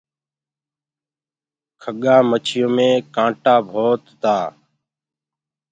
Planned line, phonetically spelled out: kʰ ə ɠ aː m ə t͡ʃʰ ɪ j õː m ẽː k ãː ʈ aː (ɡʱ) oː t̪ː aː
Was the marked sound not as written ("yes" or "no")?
yes